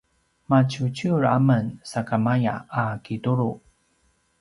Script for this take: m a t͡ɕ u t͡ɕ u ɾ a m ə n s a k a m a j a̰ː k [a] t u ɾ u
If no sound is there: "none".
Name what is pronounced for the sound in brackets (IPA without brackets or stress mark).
i